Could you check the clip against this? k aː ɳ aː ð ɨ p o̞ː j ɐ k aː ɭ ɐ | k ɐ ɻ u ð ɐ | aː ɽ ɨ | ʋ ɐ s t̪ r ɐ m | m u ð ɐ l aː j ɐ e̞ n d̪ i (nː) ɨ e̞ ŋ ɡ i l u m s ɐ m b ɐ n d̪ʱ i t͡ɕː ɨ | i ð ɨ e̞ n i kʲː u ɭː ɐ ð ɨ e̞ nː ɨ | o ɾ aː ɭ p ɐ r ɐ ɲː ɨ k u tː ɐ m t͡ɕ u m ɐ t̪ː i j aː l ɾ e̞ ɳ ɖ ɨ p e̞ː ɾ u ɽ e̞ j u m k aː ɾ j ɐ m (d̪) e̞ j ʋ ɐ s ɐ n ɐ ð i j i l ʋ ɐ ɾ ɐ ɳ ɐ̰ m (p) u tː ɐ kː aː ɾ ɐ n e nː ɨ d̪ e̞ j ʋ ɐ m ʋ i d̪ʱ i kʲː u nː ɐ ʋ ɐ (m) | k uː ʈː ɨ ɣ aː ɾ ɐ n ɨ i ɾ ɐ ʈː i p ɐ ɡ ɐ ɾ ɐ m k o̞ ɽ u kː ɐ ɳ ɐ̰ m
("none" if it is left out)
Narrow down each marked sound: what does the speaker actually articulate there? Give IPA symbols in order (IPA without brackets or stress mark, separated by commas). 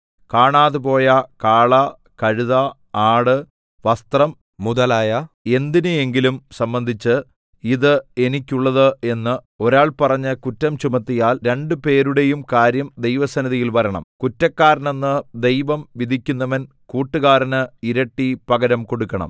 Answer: n, d̪, k, n